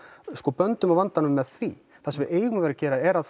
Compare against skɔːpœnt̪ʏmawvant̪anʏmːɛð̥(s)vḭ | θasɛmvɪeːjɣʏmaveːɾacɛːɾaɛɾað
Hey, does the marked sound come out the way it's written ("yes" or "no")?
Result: no